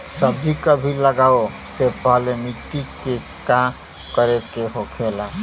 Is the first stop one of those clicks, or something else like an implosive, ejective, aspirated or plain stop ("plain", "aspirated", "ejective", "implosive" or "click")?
plain